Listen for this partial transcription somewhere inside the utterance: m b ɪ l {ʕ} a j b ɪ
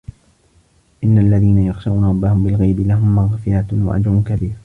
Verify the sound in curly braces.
incorrect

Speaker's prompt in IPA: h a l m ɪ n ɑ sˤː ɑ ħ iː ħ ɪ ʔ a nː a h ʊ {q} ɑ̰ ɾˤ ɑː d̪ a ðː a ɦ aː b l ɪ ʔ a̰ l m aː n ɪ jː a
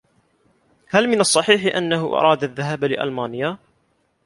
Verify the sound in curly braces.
incorrect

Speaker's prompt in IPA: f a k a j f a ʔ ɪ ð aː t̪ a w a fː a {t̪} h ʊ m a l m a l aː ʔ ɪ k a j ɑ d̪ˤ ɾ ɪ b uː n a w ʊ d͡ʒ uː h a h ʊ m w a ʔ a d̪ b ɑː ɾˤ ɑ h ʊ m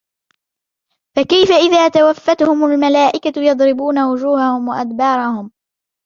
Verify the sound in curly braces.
correct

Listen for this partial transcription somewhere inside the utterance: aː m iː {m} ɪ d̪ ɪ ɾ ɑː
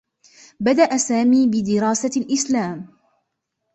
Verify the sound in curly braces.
incorrect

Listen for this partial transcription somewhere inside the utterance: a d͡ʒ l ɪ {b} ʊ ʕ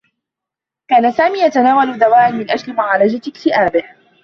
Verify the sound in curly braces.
incorrect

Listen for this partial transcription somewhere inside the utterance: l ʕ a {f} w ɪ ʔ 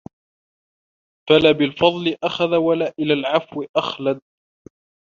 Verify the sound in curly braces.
correct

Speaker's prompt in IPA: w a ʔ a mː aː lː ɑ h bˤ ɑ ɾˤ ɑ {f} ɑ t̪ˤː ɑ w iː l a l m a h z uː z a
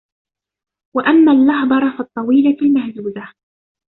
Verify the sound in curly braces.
correct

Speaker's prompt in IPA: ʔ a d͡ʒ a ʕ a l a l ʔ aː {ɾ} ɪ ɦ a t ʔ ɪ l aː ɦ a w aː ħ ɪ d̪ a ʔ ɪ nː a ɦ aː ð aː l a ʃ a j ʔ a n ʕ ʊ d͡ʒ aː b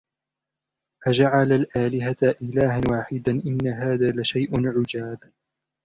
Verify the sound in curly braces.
incorrect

